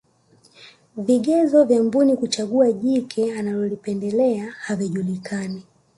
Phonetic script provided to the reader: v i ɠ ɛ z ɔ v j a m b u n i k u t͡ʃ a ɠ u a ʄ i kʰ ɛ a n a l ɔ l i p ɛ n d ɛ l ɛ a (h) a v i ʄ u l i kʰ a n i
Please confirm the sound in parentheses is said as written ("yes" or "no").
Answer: yes